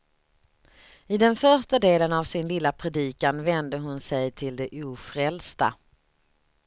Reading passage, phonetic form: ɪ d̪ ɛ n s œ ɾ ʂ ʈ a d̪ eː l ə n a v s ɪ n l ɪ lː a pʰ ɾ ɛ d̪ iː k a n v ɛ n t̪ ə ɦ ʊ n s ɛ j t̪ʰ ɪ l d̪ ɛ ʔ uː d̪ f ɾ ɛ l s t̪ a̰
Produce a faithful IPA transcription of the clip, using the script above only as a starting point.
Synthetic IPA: ɪ d̪ ɛ n f œ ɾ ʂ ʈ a d̪ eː l ə n a v s ɪ n l ɪ lː a pʰ ɾ ɛ d̪ iː k a n v ɛ n d̪ ə ɦ ʊ n s ɛ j t̪ʰ ɪ l d̪ ɛ ʔ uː f ɾ ɛ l s t̪ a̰